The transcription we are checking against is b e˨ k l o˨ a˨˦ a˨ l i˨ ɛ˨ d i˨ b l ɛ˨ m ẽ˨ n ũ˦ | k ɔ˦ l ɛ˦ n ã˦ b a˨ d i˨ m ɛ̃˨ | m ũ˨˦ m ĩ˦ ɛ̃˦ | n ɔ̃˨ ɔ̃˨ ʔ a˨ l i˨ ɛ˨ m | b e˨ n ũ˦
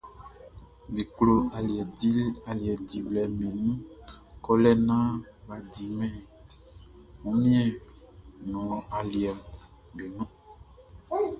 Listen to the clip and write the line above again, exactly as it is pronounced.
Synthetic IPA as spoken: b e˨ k l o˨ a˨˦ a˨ l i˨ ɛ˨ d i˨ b l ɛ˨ m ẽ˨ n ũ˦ | k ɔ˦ l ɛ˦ n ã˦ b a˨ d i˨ m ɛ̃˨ | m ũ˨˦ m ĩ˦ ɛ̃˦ | n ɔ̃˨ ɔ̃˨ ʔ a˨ l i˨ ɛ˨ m | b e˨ n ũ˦